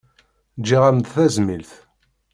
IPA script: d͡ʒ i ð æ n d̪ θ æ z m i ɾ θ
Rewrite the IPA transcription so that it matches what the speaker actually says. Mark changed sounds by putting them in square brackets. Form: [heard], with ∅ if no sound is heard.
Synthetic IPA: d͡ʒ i [ʁ] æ [m] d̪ θ æ z m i [l] θ